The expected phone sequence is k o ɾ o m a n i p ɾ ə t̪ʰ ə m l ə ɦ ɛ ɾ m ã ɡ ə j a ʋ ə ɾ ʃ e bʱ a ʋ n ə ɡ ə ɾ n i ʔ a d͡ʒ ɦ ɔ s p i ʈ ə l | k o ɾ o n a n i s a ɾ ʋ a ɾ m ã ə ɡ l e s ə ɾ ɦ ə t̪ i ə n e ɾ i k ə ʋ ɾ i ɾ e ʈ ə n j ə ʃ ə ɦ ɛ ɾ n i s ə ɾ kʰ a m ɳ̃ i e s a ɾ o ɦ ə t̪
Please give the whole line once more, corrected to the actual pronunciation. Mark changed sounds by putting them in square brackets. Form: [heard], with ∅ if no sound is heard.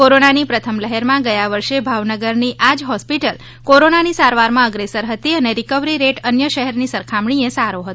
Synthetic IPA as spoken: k o ɾ o [n] a n i p ɾ ə t̪ʰ ə m l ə ɦ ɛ ɾ m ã ɡ ə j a ʋ ə ɾ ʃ e bʱ a ʋ n ə ɡ ə ɾ n i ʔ a d͡ʒ ɦ ɔ s p i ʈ ə l | k o ɾ o n a n i s a ɾ ʋ a ɾ m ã ə ɡ [ɾ] e s ə ɾ ɦ ə t̪ i ə n e ɾ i k ə ʋ ɾ i ɾ e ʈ ə n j ə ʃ ə ɦ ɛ ɾ n i s ə ɾ kʰ a m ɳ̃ i e s a ɾ o ɦ ə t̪